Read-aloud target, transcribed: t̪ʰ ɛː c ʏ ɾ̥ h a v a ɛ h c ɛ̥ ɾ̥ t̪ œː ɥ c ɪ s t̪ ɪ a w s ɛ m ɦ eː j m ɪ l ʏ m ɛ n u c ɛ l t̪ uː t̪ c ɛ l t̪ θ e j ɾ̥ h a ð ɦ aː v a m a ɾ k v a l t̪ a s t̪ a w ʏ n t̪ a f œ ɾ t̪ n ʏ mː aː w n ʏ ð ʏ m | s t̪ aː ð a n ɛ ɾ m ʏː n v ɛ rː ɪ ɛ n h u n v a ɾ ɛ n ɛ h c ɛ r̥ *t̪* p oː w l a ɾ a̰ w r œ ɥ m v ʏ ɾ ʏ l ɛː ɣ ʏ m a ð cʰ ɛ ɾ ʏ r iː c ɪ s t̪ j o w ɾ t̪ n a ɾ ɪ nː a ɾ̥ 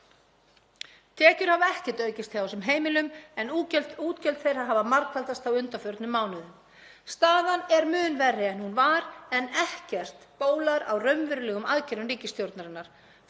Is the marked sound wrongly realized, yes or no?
no